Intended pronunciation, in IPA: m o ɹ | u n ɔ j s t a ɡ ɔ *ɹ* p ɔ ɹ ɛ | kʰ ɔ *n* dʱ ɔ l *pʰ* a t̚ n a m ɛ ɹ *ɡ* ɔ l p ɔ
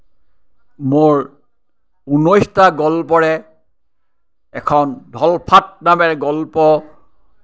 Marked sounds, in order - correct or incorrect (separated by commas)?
incorrect, correct, correct, correct